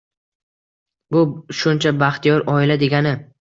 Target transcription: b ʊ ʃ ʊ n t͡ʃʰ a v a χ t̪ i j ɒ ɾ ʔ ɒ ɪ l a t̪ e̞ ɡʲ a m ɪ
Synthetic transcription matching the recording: b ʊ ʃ ʊ n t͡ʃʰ a b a χ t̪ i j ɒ ɾ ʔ ɒ ɪ l a d̪ e̞ ɡʲ a n ɪ

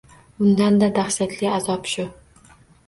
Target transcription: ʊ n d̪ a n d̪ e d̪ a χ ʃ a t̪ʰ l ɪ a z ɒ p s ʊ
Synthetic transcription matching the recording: ʊ n d̪ a n d̪ a d̪ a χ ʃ a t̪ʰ l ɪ a z ɒ p ʃ ʊ

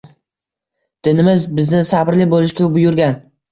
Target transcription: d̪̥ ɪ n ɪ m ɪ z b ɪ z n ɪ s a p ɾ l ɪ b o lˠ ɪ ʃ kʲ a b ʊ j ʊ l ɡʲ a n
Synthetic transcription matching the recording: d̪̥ ɪ n ɪ m ɪ z b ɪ z n ɪ s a b ɾ l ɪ b o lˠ ɪ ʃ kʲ a b ʊ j ʊ ɾ ɡʲ a n

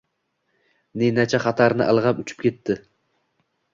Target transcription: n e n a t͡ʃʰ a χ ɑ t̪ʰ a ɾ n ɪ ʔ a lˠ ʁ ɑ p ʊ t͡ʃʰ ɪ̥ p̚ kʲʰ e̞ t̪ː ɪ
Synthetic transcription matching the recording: n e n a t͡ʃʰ a χ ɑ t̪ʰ a ɾ n ɪ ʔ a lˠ ʁ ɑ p ʊ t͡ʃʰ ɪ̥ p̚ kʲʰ e̞ t̪ː ɪ

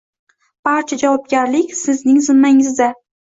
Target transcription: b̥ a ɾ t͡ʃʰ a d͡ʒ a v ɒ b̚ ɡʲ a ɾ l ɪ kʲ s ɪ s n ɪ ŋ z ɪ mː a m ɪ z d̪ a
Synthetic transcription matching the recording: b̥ a ɾ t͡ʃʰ a d͡ʒ a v ɒ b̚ ɡʲ a ɾ l ɪ kʲ s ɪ z n ɪ ŋ z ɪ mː a ŋ ɪ z d̪ a

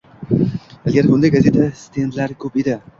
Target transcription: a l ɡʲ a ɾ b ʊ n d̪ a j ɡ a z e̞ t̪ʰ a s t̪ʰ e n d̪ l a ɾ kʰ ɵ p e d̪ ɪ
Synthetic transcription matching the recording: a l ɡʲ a ɾ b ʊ n d̪ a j ɡ a z e̞ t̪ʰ a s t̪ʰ e n d̪ l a ɾ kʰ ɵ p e d̪ ɪ

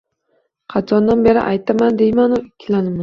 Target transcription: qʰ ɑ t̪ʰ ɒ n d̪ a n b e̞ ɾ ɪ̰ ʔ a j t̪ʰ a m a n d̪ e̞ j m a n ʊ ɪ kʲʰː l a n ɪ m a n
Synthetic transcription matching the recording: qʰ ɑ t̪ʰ ɒ n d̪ a n b e̞ ɾ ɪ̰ ʔ a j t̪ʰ a m a n d̪ e̞ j m a n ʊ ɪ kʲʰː l a n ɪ m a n

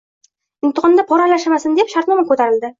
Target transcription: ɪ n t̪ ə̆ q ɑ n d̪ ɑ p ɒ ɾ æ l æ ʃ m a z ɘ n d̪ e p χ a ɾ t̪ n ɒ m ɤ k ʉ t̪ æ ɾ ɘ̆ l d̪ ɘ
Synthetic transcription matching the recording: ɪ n t̪ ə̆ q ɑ n d̪ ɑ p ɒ ɾ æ l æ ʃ m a s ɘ n d̪ e p ʃ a ɾ t̪ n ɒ m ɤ k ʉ t̪ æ ɾ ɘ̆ l d̪ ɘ

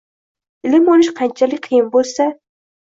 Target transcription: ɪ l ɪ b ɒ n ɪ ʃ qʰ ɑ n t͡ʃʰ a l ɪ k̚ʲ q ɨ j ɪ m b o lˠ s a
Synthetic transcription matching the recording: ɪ l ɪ m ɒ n ɪ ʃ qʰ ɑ n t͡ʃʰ a l ɪ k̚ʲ qʰ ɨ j ɪ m b o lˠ s a

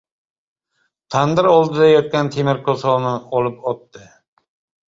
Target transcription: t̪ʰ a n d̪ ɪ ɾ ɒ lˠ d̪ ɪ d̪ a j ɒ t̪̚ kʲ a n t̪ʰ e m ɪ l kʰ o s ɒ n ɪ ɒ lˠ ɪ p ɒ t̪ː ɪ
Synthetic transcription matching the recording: t̪ʰ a n d̪ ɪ ɾ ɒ lˠ d̪ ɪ d̪ a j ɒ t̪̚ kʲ a n t̪ʰ e m ɪ ɾ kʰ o s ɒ n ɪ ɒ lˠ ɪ p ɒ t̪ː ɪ

